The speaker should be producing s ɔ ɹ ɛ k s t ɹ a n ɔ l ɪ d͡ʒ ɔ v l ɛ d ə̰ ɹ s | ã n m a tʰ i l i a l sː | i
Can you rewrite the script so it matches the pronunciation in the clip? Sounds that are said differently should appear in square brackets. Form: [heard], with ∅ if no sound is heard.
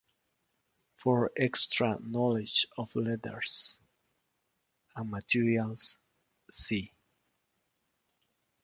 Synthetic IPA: [f] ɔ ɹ ɛ k s t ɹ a n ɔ l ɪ d͡ʒ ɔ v l ɛ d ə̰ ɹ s | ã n m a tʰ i [ɹ] i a l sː | i